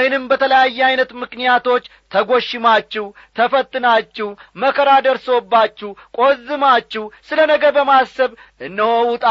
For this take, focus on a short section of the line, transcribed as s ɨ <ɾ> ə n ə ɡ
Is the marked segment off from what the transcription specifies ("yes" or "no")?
yes